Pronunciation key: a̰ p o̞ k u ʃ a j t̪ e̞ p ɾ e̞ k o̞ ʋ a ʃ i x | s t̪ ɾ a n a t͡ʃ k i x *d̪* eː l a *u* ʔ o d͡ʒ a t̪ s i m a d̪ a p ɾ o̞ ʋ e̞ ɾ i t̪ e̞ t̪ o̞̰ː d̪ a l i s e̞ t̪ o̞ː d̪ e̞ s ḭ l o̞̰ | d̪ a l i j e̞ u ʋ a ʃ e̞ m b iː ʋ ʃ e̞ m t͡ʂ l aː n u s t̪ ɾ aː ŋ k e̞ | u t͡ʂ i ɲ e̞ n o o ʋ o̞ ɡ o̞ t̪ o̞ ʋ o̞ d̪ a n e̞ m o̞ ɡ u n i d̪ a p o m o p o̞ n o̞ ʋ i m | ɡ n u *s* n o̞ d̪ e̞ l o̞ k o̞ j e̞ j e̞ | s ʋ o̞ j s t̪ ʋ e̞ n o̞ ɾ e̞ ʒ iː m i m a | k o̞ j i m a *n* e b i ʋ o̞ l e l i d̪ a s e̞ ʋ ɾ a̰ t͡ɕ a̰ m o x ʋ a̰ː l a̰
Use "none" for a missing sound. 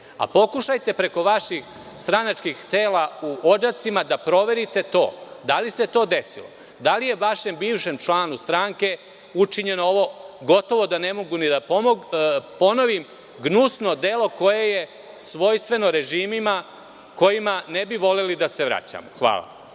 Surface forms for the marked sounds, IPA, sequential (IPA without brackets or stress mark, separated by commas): t̪, u, s, n